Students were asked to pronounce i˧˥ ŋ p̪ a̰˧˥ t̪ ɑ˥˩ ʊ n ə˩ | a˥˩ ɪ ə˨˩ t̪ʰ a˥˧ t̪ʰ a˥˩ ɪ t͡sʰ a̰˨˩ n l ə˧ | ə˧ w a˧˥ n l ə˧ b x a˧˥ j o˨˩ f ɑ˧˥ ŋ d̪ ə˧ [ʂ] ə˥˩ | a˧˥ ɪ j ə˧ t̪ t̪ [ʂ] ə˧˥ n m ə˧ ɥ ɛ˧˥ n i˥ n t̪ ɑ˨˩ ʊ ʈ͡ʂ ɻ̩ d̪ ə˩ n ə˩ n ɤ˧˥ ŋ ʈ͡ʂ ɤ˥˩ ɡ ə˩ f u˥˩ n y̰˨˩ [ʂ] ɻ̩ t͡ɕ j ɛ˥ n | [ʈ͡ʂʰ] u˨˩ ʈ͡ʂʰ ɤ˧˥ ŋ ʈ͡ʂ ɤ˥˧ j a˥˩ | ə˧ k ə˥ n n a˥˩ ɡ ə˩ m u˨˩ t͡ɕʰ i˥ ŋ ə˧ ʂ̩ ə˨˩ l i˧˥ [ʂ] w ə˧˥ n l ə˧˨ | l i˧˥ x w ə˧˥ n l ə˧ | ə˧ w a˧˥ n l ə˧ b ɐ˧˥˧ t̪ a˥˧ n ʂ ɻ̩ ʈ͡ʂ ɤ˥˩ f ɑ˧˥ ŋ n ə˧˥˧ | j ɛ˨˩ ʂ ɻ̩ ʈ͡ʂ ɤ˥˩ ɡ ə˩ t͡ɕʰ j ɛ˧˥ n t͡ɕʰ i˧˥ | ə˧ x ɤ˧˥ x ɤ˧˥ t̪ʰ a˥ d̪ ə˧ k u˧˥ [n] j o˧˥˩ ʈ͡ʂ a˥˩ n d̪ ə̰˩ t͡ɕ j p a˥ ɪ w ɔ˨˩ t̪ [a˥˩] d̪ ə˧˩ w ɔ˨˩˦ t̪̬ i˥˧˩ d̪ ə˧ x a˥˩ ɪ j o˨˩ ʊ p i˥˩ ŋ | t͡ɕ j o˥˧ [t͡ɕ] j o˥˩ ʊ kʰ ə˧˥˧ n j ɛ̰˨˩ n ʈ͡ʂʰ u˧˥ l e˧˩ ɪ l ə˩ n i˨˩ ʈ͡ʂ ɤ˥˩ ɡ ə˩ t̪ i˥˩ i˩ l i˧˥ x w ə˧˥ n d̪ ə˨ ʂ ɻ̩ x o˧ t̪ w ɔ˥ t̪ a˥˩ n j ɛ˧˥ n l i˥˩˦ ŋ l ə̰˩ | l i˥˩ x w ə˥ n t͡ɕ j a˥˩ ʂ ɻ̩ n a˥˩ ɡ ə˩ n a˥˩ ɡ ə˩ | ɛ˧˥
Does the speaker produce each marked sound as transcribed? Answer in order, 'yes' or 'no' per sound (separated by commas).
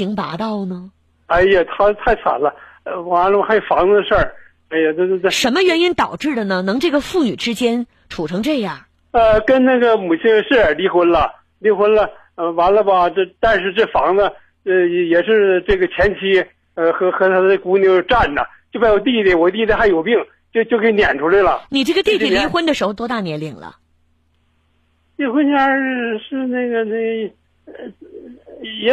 yes, yes, no, yes, no, yes, no, yes